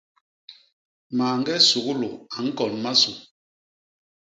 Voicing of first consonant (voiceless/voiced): voiced